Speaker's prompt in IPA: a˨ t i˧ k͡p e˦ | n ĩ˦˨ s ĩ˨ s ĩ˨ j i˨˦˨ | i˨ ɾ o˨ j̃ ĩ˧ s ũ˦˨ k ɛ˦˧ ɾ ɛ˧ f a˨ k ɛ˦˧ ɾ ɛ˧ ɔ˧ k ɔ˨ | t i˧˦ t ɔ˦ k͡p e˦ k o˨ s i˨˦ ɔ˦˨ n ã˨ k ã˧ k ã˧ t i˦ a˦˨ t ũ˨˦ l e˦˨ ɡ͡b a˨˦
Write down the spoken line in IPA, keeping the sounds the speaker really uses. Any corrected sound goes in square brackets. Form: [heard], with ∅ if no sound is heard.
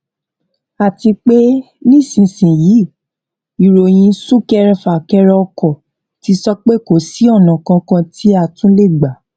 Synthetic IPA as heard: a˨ t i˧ k͡p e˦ | n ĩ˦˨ s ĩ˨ s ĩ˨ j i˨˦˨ | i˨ ɾ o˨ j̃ ĩ˧ s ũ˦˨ k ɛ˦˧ ɾ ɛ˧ f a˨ k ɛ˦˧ ɾ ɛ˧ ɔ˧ k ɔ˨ | t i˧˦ [s] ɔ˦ k͡p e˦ k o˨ s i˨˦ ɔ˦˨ n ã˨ k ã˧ k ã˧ t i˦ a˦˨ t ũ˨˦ l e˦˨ ɡ͡b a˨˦